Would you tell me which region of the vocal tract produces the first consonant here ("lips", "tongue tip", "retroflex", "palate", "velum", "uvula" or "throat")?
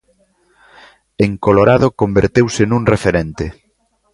velum